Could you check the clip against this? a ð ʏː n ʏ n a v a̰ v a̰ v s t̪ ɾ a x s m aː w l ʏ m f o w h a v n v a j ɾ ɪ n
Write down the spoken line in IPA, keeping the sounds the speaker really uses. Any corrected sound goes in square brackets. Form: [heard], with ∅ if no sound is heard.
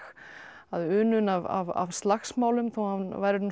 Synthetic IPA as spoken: a ð ʏː n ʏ n a v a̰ v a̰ v s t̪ [l] a x s m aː w l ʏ m [θ] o w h a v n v a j ɾ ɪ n